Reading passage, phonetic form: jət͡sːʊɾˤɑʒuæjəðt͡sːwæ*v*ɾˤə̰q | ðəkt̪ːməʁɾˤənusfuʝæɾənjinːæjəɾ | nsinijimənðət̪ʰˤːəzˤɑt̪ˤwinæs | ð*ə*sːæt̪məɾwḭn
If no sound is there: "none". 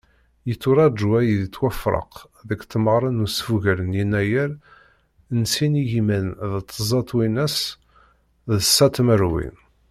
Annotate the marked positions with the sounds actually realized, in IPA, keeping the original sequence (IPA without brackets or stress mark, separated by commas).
f, ə